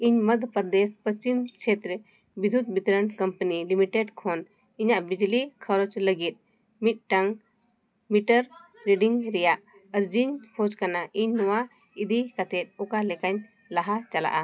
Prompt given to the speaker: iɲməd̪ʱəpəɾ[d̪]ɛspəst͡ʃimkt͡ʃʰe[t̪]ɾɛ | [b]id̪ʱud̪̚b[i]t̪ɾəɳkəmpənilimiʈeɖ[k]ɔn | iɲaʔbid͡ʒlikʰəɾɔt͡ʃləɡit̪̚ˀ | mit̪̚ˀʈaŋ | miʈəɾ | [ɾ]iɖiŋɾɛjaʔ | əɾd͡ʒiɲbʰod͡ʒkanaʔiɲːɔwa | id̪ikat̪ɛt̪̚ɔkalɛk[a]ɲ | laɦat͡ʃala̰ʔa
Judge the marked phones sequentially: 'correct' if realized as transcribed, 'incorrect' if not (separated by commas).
correct, correct, correct, correct, incorrect, correct, correct